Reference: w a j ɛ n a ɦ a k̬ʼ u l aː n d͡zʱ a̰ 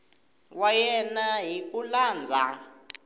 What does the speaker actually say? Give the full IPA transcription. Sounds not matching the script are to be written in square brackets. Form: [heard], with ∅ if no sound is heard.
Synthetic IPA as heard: w a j ɛ n a ɦ [i] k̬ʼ u l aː n d͡zʱ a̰